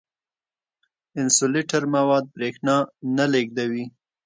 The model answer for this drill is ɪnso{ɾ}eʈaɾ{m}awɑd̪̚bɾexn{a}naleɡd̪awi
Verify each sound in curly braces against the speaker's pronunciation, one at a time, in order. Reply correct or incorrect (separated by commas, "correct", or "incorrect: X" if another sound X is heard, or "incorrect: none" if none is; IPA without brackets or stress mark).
incorrect: l, correct, incorrect: ɑ